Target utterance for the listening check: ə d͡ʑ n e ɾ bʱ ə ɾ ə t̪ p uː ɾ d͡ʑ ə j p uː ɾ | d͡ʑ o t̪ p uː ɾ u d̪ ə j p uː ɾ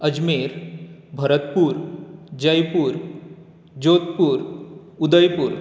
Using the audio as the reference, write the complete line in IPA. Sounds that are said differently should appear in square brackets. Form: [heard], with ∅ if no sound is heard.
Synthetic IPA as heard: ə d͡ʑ [m] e ɾ bʱ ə ɾ ə t̪ p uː ɾ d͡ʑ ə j p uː ɾ | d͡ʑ o t̪ p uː ɾ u d̪ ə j p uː ɾ

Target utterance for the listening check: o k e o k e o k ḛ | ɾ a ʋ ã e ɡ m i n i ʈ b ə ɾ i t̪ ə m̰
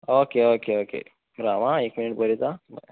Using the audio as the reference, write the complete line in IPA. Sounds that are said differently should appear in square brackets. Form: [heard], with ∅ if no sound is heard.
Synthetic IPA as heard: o k e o k e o k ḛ | ɾ a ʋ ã e [k] m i n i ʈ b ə ɾ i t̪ [a] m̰

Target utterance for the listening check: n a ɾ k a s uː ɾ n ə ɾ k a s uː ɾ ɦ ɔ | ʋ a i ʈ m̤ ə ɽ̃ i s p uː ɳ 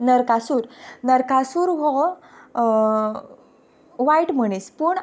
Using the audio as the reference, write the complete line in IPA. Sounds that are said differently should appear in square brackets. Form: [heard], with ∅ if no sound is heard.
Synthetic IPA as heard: n [ə] ɾ k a s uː ɾ n ə ɾ k a s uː ɾ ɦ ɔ | ʋ a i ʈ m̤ ə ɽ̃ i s p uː ɳ

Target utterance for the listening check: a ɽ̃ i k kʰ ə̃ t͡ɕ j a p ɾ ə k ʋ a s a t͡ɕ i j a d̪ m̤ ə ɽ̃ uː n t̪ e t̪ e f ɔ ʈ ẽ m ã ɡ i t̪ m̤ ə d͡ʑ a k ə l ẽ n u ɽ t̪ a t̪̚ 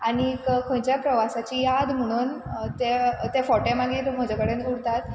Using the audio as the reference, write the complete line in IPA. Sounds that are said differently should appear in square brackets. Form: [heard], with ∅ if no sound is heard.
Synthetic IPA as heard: a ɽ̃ i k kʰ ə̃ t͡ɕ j a p ɾ ə [∅] ʋ a s a t͡ɕ i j a d̪ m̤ ə ɽ̃ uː n t̪ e t̪ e f ɔ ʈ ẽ m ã ɡ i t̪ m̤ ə d͡ʑ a k ə [ɽ] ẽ n u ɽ t̪ a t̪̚

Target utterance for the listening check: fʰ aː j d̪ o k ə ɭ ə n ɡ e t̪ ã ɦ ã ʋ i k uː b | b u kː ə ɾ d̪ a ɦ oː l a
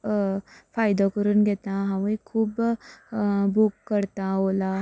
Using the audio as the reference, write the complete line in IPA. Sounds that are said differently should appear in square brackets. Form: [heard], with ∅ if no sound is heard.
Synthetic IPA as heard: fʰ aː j d̪ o k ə [ɾ] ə n ɡ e t̪ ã ɦ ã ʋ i [kʰ] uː b | b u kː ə ɾ [t̪] a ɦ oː l a

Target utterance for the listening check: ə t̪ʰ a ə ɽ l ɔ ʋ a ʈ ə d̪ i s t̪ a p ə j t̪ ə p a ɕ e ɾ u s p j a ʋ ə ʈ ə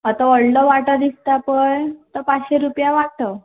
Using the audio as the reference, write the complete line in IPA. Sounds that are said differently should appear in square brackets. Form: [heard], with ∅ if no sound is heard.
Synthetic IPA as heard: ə [t̪] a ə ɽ l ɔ ʋ a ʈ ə d̪ i s t̪ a p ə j t̪ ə p a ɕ e ɾ u [∅] p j a ʋ [a] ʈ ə

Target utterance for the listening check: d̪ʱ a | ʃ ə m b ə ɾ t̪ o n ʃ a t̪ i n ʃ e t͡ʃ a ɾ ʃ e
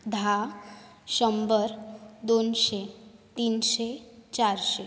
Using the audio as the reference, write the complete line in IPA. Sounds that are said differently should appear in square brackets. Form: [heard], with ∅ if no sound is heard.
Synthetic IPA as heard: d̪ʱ a | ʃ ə m b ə ɾ [d̪] o n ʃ [e] t̪ i n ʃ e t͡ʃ a ɾ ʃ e

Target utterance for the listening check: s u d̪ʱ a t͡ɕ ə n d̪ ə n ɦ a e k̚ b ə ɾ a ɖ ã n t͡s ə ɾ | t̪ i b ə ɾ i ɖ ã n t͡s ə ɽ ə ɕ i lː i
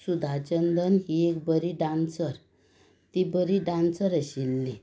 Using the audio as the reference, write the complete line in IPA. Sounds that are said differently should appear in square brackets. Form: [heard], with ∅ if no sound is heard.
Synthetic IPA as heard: s u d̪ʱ a t͡ɕ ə n d̪ ə n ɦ [i] e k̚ b ə ɾ [i] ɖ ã n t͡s ə ɾ | t̪ i b ə ɾ i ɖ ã n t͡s ə [ɾ] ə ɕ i lː i

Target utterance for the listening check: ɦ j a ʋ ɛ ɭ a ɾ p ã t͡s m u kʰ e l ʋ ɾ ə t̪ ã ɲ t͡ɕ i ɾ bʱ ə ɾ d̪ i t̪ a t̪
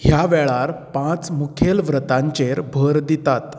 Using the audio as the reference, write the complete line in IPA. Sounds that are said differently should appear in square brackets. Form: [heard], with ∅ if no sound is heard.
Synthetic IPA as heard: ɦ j a ʋ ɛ ɭ a ɾ p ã t͡s m u kʰ e l ʋ ɾ ə t̪ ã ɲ t͡ɕ [e] ɾ bʱ ə ɾ d̪ i t̪ a t̪

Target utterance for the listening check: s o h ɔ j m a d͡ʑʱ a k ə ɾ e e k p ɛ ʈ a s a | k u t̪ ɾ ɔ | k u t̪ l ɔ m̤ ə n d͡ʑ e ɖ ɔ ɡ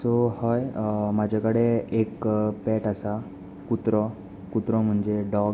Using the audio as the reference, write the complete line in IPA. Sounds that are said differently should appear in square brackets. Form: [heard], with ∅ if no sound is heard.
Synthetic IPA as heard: s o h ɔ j m a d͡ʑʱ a k ə [ɽ] e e k p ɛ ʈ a s a | k u t̪ ɾ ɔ | k u t̪ [ɾ] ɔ m̤ ə [ɳ] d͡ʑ e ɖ ɔ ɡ

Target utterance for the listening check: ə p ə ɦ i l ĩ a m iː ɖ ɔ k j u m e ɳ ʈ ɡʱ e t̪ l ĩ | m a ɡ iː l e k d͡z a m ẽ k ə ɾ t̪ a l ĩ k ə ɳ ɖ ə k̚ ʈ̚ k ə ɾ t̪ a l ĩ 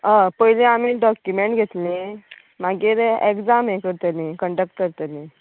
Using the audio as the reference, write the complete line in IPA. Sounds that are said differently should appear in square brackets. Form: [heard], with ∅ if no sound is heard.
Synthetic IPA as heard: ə p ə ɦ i l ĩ a m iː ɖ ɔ k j u m e ɳ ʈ ɡʱ e t̪ l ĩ | m a ɡ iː [ɾ] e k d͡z a m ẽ k ə ɾ t̪ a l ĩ k ə ɳ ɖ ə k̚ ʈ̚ k ə ɾ t̪ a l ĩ

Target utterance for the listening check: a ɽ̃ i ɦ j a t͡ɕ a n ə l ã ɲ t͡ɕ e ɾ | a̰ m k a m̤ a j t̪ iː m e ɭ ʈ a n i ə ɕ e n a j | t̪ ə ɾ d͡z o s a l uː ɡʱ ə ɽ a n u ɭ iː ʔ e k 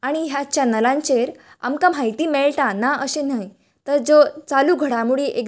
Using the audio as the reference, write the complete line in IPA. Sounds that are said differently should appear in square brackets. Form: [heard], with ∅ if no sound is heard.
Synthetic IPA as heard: a ɽ̃ i ɦ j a t͡ɕ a n ə l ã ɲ t͡ɕ e ɾ | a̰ m k a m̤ a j t̪ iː m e ɭ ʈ a n [a] ə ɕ e n a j | t̪ ə ɾ d͡z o [t͡s] a l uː ɡʱ ə ɽ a [m] u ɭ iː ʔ e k

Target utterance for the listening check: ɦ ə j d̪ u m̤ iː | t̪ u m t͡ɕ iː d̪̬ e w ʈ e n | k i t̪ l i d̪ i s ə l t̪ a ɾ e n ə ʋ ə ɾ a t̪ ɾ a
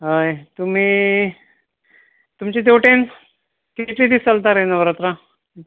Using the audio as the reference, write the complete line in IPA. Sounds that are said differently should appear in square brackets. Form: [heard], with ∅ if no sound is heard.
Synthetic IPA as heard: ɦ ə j [t̪] u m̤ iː | t̪ u m t͡ɕ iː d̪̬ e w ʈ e n | k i t̪ l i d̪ i s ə l t̪ a ɾ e n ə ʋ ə ɾ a t̪ ɾ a

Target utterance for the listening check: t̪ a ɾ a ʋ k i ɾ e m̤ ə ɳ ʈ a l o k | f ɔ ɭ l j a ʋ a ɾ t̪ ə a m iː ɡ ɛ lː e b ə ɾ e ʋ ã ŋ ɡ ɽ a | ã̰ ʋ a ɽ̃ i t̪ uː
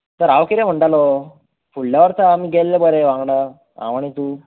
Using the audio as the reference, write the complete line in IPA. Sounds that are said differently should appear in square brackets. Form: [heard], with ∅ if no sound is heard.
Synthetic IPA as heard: t̪ [ə] ɾ a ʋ k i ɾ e m̤ ə ɳ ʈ a l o [∅] | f [u] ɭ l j a ʋ [ə] ɾ t̪ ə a m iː ɡ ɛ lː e b ə ɾ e ʋ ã ŋ ɡ ɽ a | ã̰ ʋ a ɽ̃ i t̪ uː

